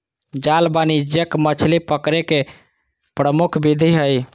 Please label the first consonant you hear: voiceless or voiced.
voiced